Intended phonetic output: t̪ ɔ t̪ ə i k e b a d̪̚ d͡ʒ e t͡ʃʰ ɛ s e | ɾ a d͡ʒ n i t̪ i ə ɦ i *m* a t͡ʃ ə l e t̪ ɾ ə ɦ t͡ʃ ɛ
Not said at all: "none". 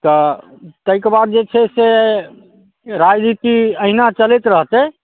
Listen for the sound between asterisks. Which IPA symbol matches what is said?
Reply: n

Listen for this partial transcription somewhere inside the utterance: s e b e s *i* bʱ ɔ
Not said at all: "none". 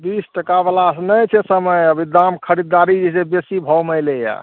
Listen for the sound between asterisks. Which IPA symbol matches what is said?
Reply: i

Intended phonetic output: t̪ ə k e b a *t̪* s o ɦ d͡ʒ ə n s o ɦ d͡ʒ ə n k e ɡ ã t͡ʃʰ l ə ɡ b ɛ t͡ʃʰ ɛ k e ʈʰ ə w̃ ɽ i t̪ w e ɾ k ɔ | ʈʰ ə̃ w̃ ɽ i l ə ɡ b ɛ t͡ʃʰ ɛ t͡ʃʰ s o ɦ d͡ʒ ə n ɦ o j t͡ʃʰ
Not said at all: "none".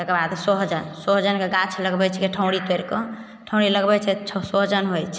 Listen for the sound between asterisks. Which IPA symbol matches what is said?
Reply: d̪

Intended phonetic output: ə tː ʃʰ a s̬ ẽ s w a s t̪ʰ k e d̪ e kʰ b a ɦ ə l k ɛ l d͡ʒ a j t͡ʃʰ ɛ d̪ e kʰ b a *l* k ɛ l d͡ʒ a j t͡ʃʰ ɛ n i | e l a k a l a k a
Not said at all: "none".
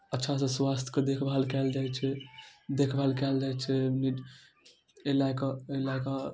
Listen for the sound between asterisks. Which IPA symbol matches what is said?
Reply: l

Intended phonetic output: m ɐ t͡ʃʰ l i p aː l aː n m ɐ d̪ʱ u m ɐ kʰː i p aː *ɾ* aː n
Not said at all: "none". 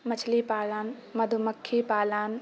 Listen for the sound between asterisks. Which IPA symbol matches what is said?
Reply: l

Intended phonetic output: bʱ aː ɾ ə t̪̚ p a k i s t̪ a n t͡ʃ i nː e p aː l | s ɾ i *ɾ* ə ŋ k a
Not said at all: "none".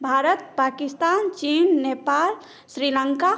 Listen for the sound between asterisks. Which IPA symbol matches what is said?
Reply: l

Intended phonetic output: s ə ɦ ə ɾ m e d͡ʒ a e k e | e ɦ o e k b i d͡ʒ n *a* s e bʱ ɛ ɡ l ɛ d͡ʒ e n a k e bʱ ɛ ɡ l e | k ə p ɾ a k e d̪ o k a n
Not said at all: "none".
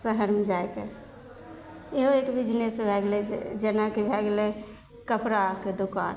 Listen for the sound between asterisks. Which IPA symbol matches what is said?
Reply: e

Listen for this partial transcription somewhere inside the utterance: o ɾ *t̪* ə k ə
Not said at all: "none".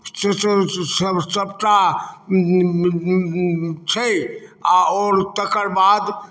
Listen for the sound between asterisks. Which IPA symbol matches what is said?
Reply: t̪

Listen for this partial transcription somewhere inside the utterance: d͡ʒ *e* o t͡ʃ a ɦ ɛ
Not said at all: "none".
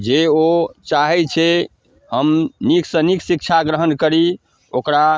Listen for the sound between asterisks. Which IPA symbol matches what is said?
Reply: e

